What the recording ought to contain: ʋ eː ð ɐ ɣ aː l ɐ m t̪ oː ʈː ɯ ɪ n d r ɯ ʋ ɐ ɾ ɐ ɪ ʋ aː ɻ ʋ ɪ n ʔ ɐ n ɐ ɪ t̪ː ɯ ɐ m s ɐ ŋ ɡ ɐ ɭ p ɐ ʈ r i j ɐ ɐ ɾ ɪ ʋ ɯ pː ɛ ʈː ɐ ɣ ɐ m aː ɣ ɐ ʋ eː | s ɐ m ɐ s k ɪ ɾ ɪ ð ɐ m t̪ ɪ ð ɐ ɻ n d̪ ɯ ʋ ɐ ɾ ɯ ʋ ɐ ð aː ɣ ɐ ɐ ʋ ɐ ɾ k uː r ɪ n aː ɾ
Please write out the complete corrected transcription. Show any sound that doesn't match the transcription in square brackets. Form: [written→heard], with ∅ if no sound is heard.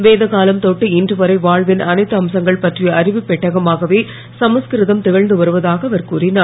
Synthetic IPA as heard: ʋ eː ð ɐ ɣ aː l ɐ m t̪ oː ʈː ɯ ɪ n d r ɯ ʋ ɐ ɾ ɐ ɪ ʋ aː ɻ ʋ ɪ n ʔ ɐ n ɐ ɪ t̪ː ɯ ɐ m s ɐ ŋ ɡ ɐ ɭ p ɐ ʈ r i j ɐ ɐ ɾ ɪ ʋ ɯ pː ɛ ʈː ɐ ɣ ɐ m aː ɣ ɐ ʋ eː | s ɐ m ɐ s k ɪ ɾ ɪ ð ɐ m t̪ ɪ [ð→ɣ] ɐ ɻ n d̪ ɯ ʋ ɐ ɾ ɯ ʋ ɐ ð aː ɣ ɐ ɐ ʋ ɐ ɾ k uː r ɪ n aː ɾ